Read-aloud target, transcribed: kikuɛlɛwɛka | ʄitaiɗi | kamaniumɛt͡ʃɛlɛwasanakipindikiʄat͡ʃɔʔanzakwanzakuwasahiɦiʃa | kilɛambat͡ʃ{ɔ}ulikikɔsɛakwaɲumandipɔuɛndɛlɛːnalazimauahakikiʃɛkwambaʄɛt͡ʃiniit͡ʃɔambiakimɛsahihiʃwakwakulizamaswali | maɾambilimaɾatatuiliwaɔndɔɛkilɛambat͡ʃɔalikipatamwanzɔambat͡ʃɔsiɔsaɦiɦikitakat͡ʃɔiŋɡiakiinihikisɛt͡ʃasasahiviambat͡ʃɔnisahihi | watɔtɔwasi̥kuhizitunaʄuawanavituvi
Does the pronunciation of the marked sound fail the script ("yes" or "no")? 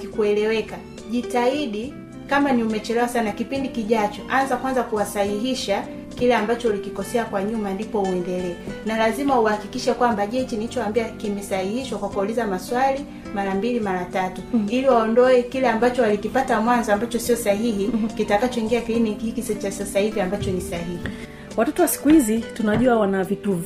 no